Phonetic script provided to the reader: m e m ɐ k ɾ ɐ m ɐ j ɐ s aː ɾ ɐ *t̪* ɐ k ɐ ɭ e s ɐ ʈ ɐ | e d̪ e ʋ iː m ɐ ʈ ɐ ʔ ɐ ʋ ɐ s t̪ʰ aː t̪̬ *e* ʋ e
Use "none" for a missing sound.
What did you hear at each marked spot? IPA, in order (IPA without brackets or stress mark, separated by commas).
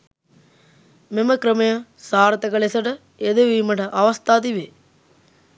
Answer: t̪, i